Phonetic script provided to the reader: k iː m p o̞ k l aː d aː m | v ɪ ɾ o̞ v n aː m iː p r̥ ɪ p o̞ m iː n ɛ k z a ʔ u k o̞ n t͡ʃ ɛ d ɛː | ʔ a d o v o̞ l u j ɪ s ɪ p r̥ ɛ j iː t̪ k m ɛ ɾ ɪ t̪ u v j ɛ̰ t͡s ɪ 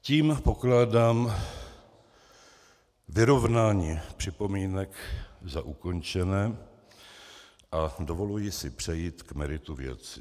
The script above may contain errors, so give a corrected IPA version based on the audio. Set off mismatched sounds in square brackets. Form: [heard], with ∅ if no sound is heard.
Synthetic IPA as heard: [c] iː m p o̞ k l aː d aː m | v ɪ ɾ o̞ v n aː [ɲ] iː p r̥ ɪ p o̞ m iː n ɛ k z a ʔ u k o̞ n t͡ʃ ɛ [n] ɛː | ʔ a d o v o̞ l u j ɪ s ɪ p r̥ ɛ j iː t̪ k m ɛ ɾ ɪ t̪ u v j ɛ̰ t͡s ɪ